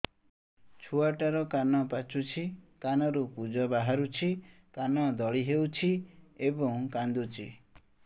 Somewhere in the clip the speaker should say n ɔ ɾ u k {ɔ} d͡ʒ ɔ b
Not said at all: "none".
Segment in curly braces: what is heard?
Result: u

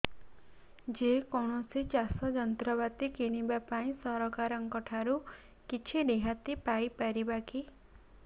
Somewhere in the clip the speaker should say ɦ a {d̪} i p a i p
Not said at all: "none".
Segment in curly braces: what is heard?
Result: t̪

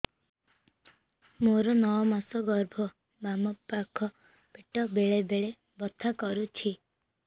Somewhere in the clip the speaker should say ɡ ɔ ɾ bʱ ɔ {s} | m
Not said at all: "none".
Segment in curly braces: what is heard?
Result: none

